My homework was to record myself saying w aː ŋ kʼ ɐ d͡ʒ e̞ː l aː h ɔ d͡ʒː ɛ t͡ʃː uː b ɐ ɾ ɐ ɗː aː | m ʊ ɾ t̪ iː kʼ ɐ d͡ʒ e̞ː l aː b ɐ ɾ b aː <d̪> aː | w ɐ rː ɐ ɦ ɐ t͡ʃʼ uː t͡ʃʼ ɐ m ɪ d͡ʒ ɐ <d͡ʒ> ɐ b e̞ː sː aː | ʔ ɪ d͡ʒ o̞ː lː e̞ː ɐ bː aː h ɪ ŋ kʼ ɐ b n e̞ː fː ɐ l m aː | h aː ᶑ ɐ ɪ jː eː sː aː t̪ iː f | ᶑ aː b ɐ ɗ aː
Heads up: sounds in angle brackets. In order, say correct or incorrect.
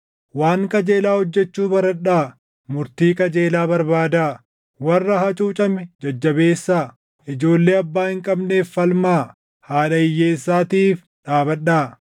correct, incorrect: d͡ʒː

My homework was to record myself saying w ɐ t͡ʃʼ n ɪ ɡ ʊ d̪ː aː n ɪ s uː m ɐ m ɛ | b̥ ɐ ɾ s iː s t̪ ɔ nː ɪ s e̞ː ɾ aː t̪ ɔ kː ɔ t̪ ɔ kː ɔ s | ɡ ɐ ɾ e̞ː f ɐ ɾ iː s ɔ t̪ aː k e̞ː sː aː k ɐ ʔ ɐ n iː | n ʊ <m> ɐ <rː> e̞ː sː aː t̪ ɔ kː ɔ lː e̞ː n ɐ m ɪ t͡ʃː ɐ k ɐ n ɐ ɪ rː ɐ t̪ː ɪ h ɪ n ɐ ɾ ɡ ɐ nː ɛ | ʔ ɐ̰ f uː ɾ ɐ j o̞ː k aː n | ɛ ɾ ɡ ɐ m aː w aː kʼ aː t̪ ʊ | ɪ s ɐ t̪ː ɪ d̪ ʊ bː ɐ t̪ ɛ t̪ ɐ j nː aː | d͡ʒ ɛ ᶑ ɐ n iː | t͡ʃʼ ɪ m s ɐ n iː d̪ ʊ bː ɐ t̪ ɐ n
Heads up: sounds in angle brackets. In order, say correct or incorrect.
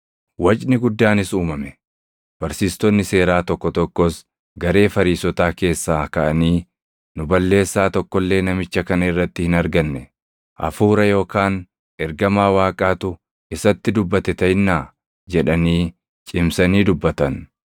incorrect: b, incorrect: lː

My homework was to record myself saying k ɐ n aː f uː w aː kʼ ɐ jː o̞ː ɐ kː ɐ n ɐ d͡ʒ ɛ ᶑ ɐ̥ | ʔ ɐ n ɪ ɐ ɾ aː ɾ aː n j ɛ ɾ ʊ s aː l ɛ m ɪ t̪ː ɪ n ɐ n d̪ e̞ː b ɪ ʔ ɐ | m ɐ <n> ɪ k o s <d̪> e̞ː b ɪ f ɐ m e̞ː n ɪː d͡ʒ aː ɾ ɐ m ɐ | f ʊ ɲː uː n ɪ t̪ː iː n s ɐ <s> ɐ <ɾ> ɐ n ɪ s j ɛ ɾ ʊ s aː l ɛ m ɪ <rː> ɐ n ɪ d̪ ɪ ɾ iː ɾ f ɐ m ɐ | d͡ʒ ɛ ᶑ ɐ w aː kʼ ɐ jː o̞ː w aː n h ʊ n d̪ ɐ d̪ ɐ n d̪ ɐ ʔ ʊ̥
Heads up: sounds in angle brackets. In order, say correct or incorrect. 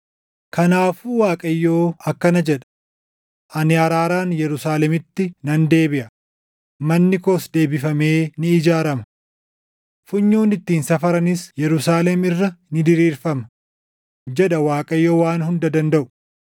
incorrect: nː, correct, incorrect: f, correct, correct

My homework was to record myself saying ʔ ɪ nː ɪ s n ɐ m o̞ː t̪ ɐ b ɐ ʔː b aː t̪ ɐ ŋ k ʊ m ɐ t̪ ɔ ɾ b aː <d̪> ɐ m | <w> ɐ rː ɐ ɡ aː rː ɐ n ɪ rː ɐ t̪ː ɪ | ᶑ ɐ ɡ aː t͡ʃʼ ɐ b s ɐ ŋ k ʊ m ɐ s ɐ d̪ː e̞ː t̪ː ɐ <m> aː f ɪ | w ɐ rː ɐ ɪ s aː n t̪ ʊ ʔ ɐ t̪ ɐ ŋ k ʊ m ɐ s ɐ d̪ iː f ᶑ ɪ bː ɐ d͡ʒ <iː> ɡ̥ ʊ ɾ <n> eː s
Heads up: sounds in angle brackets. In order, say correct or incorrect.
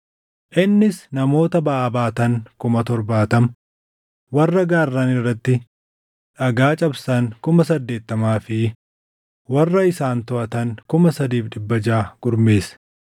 incorrect: t̪, correct, correct, incorrect: aː, incorrect: m

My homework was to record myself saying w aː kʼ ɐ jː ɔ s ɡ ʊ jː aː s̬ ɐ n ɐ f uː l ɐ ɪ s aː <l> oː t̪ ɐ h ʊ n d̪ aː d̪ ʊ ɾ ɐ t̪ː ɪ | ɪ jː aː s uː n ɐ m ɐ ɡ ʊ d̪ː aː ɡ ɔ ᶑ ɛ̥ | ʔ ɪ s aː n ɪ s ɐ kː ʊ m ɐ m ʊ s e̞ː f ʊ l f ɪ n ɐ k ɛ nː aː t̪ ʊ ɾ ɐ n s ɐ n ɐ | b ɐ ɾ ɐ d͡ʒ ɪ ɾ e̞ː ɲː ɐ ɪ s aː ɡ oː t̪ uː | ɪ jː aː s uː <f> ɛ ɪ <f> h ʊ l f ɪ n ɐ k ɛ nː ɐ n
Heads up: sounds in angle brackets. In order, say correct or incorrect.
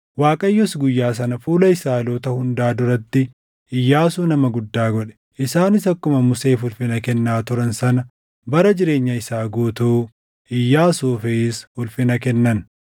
correct, correct, incorrect: s

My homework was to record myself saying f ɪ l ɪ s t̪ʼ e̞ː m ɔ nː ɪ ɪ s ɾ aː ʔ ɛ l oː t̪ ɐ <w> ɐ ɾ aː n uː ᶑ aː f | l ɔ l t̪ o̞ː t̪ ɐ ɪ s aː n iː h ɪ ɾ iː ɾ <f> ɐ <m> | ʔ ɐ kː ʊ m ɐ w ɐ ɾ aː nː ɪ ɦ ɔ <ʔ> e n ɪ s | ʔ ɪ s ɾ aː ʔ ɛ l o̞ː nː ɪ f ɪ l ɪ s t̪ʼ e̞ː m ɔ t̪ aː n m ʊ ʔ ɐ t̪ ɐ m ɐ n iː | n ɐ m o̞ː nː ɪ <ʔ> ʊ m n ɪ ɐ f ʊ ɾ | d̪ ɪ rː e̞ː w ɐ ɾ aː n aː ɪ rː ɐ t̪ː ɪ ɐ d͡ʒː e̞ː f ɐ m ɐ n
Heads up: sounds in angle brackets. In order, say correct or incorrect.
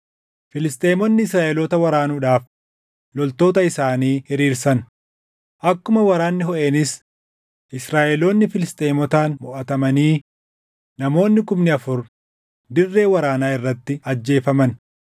correct, incorrect: s, incorrect: n, correct, incorrect: k

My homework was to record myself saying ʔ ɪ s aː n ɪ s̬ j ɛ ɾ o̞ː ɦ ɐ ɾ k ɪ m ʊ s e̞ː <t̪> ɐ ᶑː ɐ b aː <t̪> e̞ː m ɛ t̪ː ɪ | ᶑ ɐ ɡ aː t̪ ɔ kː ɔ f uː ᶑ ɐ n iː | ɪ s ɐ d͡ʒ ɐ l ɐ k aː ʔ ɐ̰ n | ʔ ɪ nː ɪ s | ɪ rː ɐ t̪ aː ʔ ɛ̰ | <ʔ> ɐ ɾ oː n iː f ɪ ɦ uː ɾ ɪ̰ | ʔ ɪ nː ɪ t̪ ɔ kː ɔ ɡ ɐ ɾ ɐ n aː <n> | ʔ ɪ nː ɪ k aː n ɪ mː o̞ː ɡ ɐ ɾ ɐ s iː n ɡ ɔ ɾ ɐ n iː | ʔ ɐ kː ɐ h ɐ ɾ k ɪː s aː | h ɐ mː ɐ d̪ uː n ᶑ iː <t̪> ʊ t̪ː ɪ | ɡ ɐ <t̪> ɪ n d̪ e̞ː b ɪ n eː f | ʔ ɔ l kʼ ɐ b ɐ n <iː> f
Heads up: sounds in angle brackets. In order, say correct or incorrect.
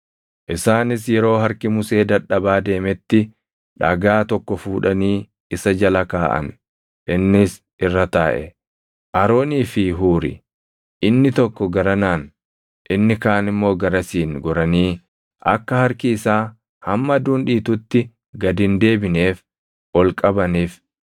incorrect: d̪, incorrect: d̪, correct, correct, correct, incorrect: d̪, correct

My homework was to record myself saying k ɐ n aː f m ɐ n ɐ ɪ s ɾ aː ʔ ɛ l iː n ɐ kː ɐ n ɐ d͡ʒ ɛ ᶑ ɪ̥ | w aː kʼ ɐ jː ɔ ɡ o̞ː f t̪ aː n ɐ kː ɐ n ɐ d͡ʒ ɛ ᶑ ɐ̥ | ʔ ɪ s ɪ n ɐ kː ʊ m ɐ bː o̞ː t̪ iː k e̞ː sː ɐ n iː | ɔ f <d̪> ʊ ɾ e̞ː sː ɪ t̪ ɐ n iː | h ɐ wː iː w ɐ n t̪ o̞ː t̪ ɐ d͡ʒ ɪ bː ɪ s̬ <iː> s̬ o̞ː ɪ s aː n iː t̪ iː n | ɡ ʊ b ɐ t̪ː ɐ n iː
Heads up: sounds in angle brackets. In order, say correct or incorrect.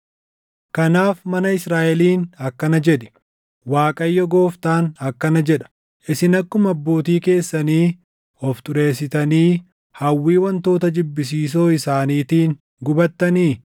incorrect: t̪, correct

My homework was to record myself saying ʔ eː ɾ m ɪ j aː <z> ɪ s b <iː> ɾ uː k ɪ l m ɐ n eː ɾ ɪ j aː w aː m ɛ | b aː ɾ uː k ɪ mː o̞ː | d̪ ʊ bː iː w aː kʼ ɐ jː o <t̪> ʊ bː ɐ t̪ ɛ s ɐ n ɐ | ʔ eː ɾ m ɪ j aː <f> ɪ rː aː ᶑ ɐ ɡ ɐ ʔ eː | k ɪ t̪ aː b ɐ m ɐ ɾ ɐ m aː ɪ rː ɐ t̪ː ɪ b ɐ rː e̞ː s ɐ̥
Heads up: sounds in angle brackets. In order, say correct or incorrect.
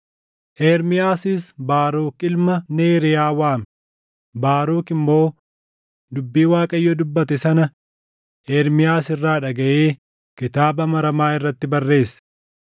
incorrect: s, incorrect: aː, incorrect: d̪, incorrect: s

